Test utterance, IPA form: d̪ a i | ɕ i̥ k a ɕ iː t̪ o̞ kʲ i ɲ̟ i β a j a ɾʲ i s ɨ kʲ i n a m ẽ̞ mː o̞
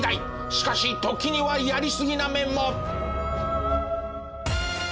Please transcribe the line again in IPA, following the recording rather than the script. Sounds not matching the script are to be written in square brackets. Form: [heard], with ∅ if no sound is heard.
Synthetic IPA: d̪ a i | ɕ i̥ k a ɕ [i] t̪ o̞ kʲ i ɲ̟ i β a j a ɾʲ i s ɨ [ɡʲ] i n a m ẽ̞ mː o̞